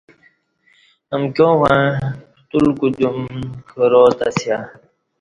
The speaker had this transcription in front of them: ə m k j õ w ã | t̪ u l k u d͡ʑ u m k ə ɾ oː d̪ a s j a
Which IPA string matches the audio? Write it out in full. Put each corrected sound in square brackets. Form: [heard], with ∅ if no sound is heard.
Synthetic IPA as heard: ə m k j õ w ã | t̪ u l k u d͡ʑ u m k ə ɾ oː [t̪] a s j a